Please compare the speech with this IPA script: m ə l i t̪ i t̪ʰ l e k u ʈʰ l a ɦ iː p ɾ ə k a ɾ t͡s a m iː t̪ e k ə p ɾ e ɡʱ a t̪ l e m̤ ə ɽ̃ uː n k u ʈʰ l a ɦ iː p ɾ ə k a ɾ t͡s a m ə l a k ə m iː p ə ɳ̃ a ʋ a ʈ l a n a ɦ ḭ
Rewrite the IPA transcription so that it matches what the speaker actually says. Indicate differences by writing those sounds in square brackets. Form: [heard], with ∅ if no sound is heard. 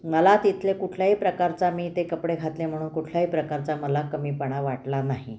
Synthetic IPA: m ə l [a] t̪ i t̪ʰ l e k u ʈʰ l a ɦ iː p ɾ ə k a ɾ t͡s a m iː t̪ e k ə p [ɽ] e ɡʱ a t̪ l e m̤ ə ɽ̃ uː n k u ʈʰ l a ɦ iː p ɾ ə k a ɾ t͡s a m ə l a k ə m iː p ə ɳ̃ a ʋ a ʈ l a n a ɦ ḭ